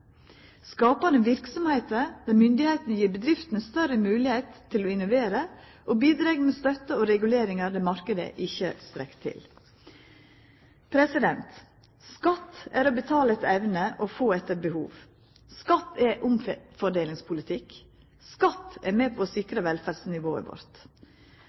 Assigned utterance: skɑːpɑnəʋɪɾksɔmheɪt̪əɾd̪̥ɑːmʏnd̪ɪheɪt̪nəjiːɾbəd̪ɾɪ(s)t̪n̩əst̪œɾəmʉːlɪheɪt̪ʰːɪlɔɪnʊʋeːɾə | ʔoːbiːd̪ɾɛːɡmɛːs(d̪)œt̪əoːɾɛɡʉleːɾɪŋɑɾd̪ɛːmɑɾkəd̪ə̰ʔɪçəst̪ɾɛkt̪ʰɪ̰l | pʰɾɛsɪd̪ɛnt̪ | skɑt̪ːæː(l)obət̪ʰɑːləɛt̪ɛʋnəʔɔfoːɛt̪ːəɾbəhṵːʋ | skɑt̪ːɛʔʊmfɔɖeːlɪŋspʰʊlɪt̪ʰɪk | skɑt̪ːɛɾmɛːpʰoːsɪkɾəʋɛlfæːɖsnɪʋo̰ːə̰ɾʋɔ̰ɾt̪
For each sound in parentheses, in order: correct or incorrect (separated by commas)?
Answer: incorrect, incorrect, incorrect